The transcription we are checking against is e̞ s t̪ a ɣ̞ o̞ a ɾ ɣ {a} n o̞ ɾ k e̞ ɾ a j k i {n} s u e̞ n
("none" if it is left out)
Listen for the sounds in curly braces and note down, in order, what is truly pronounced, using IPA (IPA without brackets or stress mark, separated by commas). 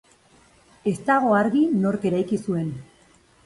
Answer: i, none